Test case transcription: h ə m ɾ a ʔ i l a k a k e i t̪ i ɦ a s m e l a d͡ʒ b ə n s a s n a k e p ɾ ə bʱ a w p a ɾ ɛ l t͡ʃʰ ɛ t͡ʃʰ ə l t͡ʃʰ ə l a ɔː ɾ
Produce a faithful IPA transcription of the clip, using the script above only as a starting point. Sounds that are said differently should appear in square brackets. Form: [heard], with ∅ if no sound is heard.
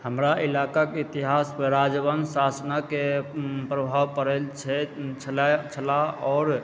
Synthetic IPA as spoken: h ə m ɾ a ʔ i l a k a k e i t̪ i ɦ a s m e [ɾ] a d͡ʒ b ə n s a s n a k e p ɾ ə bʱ a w p [ə] ɾ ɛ l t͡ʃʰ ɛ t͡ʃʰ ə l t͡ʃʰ ə l a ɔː ɾ